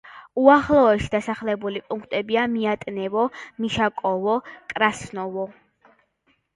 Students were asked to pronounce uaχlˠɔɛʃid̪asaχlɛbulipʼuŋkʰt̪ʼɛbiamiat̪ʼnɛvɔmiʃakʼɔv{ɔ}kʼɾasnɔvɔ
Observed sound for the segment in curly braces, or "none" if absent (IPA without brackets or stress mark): ɔ